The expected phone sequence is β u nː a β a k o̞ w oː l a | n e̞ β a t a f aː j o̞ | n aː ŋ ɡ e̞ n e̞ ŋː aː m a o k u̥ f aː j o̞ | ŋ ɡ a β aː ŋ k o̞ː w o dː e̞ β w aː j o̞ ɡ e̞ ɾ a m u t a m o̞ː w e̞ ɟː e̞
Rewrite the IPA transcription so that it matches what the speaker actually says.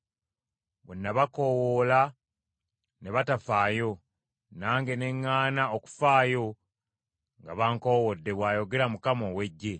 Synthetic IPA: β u nː a β a k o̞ w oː l a | n e̞ β a t a f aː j o̞ | n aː ŋ ɡ e̞ n e̞ ŋː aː n a o k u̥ f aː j o̞ | ŋ ɡ a β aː ŋ k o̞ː w o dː e̞ β w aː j o̞ ɡ e̞ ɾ a m u k a m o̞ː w e̞ ɟː e̞

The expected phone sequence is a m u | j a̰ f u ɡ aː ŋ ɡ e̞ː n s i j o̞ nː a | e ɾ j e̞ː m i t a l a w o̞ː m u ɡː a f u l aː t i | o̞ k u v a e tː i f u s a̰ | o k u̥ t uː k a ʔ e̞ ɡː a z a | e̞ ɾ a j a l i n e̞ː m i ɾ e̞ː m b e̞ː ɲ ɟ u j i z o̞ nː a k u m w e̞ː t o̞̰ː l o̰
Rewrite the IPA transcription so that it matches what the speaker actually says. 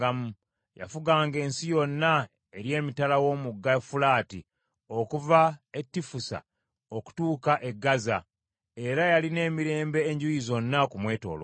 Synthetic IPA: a m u | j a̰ f u ɡ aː ŋ ɡ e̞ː n s i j o̞ nː a | e ɾ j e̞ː m i t a l a w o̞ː m u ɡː a f u l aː t i | o̞ k u v a e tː i f u s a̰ | o k u̥ t uː k a ʔ e̞ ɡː a z a | e̞ ɾ a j a l i n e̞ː m i ɾ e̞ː m b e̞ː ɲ ɟ u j i z o̞ nː a k u m w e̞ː t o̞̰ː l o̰

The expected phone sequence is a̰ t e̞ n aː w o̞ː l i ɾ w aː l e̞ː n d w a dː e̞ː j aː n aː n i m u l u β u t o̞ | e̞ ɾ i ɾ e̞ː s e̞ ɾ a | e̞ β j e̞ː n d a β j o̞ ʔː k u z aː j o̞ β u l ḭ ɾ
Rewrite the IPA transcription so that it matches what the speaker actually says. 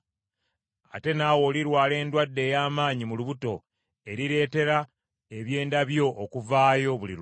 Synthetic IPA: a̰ t e̞ n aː w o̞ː l i ɾ w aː l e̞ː n d w a dː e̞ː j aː m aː ɲ i m u l u β u t o̞ | e̞ ɾ i ɾ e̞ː t e̞ ɾ a | e̞ β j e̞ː n d a β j o̞ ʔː k u v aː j o̞ β u l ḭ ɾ

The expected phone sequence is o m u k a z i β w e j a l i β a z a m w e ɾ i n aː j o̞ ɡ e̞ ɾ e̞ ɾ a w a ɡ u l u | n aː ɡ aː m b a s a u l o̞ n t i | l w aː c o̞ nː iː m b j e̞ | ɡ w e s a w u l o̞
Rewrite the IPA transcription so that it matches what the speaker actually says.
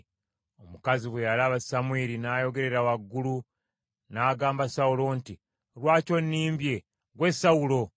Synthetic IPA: o m u k a z i β w e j a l a β a s a m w e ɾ i n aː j o̞ ɡ e̞ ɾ e̞ ɾ a w a ɡː u l u | n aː ɡ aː m b a s a u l o̞ n t i | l w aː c o̞ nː iː m b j e̞ | ɡ w e s a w u l o̞

